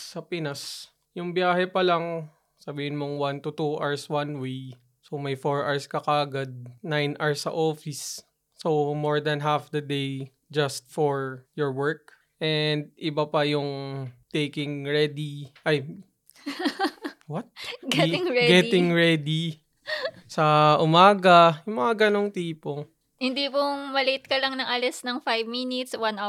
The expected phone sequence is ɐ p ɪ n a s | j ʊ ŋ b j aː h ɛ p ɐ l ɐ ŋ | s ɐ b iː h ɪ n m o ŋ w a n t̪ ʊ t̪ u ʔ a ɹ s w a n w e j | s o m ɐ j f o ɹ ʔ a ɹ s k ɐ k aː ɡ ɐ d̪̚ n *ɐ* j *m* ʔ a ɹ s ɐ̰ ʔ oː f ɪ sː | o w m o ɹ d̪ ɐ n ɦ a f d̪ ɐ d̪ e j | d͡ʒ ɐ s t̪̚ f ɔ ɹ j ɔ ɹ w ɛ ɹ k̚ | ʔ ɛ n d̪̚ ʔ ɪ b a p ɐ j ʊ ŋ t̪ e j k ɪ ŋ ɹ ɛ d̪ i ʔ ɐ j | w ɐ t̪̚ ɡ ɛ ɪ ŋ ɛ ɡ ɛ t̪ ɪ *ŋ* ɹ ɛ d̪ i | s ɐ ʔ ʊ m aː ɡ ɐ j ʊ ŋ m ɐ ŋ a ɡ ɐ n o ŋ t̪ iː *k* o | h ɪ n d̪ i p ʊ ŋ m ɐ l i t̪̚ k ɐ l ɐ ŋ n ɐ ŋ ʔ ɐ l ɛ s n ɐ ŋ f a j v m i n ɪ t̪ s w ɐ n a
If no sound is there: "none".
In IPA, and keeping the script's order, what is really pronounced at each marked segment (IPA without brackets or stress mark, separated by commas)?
a, n, ŋ, p